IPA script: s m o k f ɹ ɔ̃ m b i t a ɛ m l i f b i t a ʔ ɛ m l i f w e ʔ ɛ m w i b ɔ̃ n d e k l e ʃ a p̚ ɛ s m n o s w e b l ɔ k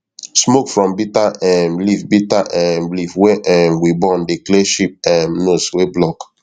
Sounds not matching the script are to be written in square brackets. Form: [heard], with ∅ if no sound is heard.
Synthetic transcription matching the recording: s m o k f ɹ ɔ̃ m b i t a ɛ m l i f b i t a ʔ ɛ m l i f w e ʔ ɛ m w i b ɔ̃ n d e k l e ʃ [i] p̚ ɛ [∅] m n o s w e b l ɔ k